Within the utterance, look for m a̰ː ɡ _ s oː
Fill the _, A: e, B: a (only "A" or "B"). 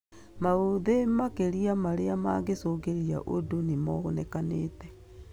A